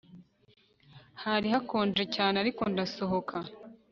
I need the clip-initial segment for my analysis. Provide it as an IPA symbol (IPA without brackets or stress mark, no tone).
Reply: h